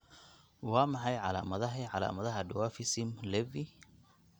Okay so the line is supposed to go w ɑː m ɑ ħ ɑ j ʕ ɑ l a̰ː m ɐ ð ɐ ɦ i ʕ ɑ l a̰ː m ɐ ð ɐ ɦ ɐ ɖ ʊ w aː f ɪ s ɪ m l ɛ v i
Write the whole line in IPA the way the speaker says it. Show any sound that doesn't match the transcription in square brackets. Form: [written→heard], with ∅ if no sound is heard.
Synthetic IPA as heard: w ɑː m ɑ ħ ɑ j ʕ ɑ l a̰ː m ɐ ð ɐ ɦ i ʕ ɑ l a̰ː m ɐ ð ɐ ɦ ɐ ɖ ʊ w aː f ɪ s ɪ m l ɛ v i